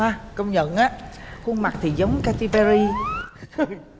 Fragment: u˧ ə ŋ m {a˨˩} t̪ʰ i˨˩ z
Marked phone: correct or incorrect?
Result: correct